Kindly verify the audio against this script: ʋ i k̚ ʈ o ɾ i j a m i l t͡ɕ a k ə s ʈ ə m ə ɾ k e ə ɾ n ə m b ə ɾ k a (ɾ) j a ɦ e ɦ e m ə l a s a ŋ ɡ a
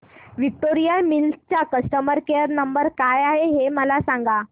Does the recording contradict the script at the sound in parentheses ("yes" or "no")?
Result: yes